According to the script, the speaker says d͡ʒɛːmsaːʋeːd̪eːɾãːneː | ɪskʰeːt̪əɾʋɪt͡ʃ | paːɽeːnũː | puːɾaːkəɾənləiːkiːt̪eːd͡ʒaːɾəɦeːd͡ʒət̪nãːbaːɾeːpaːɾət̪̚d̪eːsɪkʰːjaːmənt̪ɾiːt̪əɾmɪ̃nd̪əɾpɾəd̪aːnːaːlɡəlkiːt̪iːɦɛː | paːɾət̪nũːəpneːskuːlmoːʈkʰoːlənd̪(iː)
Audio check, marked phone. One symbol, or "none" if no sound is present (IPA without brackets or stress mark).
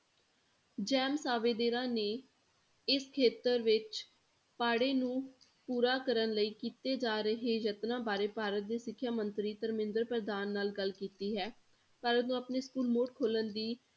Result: iː